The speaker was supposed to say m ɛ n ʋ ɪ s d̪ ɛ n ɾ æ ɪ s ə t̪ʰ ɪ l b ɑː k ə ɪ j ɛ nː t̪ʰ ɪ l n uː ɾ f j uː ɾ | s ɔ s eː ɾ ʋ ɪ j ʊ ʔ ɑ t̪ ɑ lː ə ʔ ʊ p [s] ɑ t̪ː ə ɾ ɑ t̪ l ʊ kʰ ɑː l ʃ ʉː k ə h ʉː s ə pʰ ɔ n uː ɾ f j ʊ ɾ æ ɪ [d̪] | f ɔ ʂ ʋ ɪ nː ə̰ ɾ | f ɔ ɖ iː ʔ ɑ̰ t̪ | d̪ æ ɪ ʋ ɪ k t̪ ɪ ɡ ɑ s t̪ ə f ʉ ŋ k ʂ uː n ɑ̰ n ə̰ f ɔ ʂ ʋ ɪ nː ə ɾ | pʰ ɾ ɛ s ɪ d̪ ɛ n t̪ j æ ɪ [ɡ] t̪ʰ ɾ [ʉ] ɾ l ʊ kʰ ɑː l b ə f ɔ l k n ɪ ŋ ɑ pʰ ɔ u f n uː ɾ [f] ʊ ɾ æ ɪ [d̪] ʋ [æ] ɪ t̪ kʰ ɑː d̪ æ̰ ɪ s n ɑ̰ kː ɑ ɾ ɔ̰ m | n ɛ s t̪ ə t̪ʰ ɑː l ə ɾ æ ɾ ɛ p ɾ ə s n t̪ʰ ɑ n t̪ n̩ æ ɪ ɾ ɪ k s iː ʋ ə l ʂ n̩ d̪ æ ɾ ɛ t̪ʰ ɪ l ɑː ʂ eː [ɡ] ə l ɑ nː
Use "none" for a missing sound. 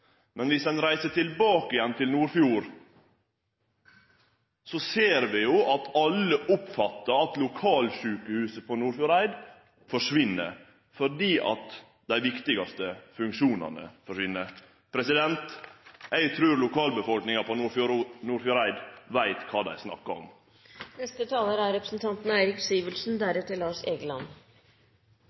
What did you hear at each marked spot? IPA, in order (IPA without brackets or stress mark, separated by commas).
f, d̪, ɡ, ʉː, f, d̪, æ, ɡ